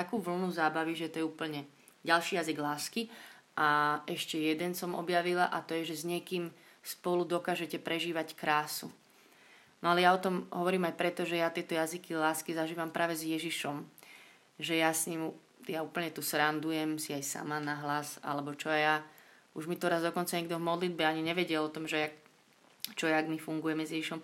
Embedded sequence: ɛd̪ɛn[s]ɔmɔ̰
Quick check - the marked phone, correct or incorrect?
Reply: correct